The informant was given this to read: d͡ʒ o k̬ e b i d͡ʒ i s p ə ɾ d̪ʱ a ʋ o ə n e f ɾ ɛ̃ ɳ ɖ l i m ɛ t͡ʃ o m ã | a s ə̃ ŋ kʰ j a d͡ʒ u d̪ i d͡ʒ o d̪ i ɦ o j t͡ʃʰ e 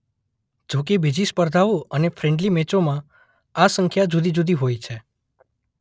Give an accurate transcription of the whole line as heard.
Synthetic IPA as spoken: d͡ʒ o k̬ e b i d͡ʒ i s p ə ɾ d̪ʱ a ʋ o ə n e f ɾ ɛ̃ ɳ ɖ l i m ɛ t͡ʃ o m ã | a s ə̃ ŋ kʰ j a d͡ʒ u d̪ i d͡ʒ u d̪ i ɦ o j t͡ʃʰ e

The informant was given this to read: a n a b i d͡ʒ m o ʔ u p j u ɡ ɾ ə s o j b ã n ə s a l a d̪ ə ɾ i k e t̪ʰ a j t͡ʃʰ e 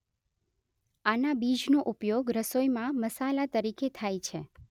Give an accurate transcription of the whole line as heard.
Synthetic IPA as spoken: a n a b i d͡ʒ n o ʔ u p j o ɡ ɾ ə s o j m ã m ə s a l a t̪ ə ɾ i k e t̪ʰ a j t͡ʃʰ e

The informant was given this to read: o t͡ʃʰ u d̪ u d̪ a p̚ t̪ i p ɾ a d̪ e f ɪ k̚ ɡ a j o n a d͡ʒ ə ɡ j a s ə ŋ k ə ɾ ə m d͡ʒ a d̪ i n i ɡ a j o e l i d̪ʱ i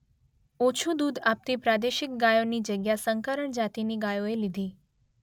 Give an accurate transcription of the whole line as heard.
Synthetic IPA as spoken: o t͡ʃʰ u d̪ u d̪ a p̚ t̪ i p ɾ a d̪ e ʃ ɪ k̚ ɡ a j o n i d͡ʒ ə ɡ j a s ə ŋ k ə ɾ ə ɳ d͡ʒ a t̪ i n i ɡ a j o e l i d̪ʱ i

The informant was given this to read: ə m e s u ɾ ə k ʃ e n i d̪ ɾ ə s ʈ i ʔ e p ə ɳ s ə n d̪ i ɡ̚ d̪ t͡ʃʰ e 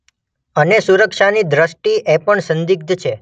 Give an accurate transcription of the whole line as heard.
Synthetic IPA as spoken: ə n e s u ɾ ə k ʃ a n i d̪ ɾ ə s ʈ i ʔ e p ə ɳ s ə n d̪ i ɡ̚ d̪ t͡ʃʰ e

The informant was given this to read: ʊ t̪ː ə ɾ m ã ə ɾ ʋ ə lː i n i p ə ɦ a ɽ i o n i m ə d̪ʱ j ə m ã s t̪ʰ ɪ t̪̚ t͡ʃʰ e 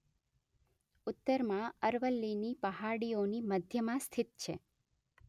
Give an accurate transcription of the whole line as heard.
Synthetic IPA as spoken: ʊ t̪ː ə ɾ m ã ə ɾ ʋ ə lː i n i p ə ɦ a ɽ i o n i m ə d̪ʱ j ə m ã s t̪ʰ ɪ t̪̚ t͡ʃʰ e

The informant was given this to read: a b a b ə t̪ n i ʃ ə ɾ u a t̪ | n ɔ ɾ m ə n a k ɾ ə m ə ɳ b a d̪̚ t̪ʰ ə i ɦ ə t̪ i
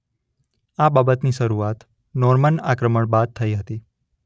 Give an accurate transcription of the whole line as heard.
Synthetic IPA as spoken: a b a b ə t̪ n i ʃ ə ɾ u a t̪ | n ɔ ɾ m ə n a k ɾ ə m ə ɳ b a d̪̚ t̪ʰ ə i ɦ ə t̪ i

